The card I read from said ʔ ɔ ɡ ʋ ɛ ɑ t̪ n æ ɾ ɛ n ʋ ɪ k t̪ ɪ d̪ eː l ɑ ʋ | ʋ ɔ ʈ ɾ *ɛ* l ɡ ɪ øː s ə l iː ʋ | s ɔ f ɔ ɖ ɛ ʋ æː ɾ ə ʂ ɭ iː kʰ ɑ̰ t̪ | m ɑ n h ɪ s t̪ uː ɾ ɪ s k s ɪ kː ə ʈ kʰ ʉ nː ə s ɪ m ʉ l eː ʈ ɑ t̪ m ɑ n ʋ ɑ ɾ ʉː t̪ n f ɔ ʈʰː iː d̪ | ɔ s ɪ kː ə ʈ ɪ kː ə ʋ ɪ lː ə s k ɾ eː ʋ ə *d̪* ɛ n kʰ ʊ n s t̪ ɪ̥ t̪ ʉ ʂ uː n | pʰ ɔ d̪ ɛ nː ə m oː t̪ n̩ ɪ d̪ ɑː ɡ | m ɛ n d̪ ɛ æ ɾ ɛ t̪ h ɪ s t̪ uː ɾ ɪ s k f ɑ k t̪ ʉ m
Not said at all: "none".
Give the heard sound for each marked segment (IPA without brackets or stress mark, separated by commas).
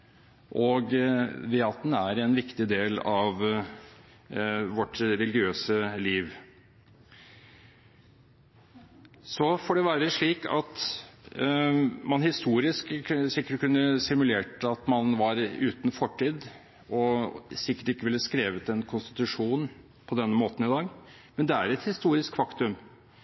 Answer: ɛ, t̪